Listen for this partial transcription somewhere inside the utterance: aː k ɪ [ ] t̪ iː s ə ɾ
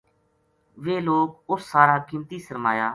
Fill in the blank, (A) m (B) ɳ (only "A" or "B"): A